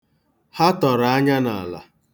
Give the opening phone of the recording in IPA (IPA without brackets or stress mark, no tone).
h